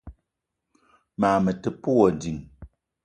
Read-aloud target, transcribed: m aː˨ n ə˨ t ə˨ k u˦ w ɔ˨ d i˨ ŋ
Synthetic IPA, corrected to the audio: m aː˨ m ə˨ t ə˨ p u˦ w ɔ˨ d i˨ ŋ